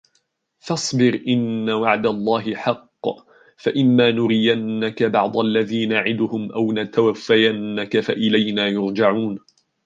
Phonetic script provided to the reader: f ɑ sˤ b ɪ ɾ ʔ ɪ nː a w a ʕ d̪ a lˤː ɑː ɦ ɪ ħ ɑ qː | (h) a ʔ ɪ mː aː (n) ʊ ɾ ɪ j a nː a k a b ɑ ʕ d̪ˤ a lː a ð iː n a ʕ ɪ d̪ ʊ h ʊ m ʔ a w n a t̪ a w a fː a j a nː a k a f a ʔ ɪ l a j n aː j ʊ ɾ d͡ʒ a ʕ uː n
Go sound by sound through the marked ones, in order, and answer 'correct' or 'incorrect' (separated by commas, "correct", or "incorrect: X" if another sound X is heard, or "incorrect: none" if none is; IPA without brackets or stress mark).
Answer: incorrect: f, correct